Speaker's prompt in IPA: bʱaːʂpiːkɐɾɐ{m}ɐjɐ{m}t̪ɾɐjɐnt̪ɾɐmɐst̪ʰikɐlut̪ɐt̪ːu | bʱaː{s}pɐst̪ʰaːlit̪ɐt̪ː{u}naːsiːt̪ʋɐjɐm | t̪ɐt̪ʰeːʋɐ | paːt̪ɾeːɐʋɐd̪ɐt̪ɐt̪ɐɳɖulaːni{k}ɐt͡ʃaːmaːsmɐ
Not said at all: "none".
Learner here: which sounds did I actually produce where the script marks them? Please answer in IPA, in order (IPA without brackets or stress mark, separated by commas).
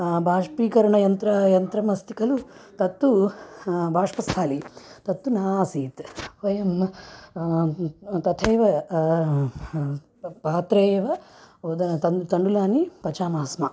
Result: ɳ, n, ʂ, u, p